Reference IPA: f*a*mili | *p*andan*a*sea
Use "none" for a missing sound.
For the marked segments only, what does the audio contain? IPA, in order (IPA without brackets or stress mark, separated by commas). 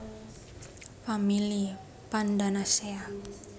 a, p, a